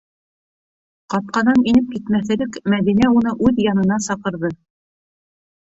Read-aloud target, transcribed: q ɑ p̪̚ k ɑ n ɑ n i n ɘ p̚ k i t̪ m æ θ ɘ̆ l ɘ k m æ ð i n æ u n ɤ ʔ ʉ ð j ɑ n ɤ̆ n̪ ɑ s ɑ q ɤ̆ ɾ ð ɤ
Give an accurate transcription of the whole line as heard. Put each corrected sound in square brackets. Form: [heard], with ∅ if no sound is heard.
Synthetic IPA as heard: q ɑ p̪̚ [q] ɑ n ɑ n i n ɘ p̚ k i t̪ m æ θ ɘ̆ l ɘ k m æ ð i n æ u n ɤ ʔ ʉ ð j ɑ n ɤ̆ n̪ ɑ s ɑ q ɤ̆ ɾ ð ɤ

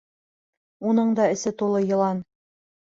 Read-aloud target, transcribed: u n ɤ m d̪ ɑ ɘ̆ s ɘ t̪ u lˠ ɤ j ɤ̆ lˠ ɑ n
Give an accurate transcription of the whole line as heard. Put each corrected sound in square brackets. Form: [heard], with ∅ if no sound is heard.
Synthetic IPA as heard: u n ɤ [ɴ] d̪ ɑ ɘ̆ s ɘ t̪ u lˠ ɤ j ɤ̆ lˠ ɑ n

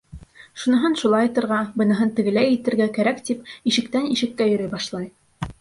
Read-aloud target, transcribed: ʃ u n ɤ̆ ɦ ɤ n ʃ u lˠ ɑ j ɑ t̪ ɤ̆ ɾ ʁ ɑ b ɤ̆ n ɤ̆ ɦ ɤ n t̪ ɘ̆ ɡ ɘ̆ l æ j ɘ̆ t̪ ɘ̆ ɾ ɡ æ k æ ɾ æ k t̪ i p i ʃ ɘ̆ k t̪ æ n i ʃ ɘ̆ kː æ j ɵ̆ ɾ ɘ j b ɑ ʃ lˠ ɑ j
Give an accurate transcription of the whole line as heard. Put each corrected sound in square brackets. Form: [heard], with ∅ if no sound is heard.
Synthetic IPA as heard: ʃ u n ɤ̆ ɦ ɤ n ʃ u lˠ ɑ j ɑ t̪ ɤ̆ ɾ ʁ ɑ b ɤ̆ n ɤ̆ ɦ ɤ n t̪ ɘ̆ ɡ ɘ̆ l æ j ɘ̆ t̪ ɘ̆ ɾ ɡ æ k æ ɾ æ k t̪ i p i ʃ ɘ̆ k t̪ æ n i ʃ ɘ̆ kː æ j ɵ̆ ɾ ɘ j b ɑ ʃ lˠ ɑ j

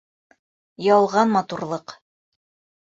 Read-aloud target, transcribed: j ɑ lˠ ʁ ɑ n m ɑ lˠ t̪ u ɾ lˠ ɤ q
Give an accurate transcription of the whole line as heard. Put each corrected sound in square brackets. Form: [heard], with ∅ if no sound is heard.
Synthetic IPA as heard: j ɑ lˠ ʁ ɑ n m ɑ [∅] t̪ u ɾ lˠ ɤ q

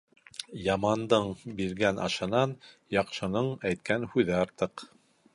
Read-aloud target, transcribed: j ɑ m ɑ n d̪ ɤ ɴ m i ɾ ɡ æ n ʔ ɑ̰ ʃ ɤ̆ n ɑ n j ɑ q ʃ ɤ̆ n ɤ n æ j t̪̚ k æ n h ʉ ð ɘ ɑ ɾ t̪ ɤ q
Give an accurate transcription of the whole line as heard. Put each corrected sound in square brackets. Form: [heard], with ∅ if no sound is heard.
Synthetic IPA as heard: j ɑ m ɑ n d̪ ɤ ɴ [b] i ɾ ɡ æ n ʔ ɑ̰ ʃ ɤ̆ n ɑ n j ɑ q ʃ ɤ̆ n ɤ [ɴ] æ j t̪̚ k æ n h ʉ ð ɘ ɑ ɾ t̪ ɤ q

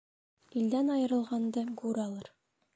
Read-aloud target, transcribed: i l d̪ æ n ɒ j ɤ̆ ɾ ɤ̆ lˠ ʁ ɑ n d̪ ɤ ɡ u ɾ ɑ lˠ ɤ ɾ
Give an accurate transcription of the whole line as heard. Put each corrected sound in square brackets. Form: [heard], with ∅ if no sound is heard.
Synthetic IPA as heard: i l d̪ æ n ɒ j ɤ̆ ɾ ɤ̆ lˠ ʁ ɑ n d̪ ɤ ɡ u ɾ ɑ lˠ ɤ ɾ

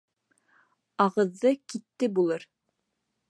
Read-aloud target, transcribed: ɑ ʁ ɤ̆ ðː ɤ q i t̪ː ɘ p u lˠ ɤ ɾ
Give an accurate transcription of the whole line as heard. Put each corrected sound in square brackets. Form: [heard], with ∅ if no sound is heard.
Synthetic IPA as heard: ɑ ʁ ɤ̆ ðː ɤ [k] i t̪ː ɘ [b] u lˠ ɤ ɾ

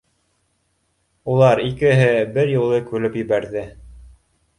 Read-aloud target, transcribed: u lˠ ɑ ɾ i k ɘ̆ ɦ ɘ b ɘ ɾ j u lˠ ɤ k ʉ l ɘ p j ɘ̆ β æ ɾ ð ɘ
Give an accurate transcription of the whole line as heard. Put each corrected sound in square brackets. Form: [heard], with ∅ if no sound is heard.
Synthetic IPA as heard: u lˠ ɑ ɾ i k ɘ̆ ɦ ɘ b ɘ ɾ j u lˠ ɤ k ʉ l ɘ p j ɘ̆ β æ ɾ ð ɘ

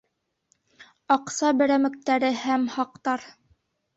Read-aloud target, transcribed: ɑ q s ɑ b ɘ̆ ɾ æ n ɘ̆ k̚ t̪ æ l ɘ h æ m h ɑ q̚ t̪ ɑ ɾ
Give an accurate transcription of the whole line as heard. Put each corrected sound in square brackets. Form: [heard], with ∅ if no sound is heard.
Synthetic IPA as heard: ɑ q s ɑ b ɘ̆ ɾ æ [m] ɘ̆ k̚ t̪ æ [ɾ] ɘ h æ m h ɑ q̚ t̪ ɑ ɾ

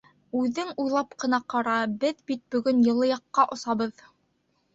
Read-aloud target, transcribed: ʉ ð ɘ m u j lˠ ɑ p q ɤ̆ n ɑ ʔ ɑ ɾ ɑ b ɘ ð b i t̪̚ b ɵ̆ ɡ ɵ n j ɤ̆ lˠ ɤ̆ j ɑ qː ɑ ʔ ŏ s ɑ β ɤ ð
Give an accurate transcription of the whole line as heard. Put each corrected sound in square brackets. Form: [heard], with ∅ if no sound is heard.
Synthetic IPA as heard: ʉ ð ɘ [ŋ] u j lˠ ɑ p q ɤ̆ n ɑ [q] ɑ ɾ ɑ b ɘ ð b i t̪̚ b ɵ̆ ɡ ɵ n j ɤ̆ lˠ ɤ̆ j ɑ qː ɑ ʔ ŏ s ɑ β ɤ ð

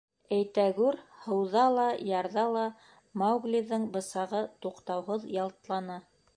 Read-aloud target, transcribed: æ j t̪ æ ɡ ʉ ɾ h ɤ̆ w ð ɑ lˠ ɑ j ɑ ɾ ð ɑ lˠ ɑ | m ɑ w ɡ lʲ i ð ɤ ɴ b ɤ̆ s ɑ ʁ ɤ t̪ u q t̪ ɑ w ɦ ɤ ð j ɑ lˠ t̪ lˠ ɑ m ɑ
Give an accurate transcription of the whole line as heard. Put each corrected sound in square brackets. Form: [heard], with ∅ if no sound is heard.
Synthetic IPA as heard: æ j t̪ æ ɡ ʉ ɾ h ɤ̆ w ð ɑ lˠ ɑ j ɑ ɾ ð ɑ lˠ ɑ | m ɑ w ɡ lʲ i ð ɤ ɴ b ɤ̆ s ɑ ʁ ɤ t̪ u q t̪ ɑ w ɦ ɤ ð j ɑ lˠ t̪ lˠ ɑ [n] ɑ

